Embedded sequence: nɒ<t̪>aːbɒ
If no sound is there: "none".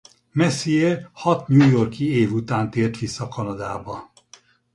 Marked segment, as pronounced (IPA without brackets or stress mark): d̪